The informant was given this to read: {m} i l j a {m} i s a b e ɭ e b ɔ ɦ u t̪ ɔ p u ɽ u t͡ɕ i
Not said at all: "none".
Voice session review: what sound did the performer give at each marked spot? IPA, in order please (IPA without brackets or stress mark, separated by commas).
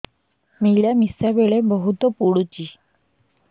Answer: m, m